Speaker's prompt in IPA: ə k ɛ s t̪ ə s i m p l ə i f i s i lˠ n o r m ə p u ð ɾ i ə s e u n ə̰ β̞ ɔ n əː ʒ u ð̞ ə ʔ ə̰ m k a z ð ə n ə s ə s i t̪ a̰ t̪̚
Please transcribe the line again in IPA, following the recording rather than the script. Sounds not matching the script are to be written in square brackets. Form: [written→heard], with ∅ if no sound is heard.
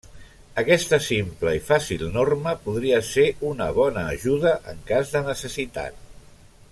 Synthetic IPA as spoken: ə k ɛ s t̪ ə s i m p l ə i f [i→a] s i lˠ n o r m ə p u ð ɾ i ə s e u n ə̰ β̞ ɔ n əː ʒ u ð̞ ə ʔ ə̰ [m→ŋ] k a z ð ə n ə s ə s i t̪ a̰ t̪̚